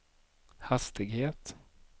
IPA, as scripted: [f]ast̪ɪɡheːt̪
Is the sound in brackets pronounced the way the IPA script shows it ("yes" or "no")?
no